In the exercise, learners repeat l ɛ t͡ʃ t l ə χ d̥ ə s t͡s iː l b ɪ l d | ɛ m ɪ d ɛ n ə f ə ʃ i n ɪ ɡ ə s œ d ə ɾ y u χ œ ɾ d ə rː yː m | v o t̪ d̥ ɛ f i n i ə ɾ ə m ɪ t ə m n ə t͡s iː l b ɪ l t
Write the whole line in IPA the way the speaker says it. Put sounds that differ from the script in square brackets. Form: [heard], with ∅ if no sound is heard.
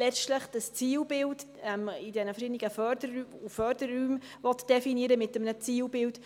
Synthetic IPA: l ɛ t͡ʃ t l ə χ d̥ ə s t͡s iː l b ɪ l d | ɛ m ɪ d ɛ n ə f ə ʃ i n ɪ ɡ ə [f] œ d ə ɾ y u [f] œ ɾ d ə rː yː m | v [ɔ] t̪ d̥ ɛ f i n i ə ɾ ə m ɪ t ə m n ə t͡s iː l b ɪ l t